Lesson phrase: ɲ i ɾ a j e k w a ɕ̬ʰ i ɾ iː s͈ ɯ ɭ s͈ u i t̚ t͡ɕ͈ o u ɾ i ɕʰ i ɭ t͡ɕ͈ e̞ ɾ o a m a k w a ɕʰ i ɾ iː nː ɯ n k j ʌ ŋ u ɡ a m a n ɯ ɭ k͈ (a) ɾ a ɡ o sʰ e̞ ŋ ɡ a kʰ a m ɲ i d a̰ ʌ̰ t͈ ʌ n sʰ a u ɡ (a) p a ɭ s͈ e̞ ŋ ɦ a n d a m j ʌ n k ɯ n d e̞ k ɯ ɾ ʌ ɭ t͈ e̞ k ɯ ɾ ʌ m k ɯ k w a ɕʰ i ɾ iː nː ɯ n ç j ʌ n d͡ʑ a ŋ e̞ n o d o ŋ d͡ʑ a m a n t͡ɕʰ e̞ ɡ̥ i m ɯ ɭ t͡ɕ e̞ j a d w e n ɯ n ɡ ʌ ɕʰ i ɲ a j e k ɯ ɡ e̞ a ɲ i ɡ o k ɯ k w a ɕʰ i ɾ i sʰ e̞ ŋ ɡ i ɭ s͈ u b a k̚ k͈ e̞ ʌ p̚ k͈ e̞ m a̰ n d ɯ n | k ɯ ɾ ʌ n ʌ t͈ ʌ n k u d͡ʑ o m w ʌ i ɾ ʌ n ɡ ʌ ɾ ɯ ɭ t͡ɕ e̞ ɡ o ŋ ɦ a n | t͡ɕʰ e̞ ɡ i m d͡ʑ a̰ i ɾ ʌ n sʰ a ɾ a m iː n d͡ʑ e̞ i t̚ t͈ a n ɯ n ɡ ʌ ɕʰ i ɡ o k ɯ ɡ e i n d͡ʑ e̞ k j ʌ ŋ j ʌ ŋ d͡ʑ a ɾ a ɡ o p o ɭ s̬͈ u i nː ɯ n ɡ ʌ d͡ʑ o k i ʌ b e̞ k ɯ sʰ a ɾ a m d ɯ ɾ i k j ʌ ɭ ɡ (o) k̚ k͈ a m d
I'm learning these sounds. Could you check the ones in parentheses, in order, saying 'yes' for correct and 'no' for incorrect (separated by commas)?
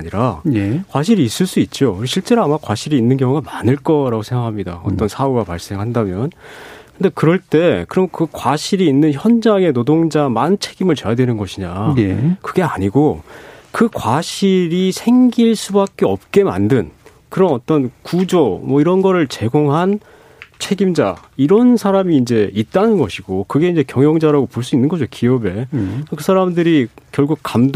no, yes, no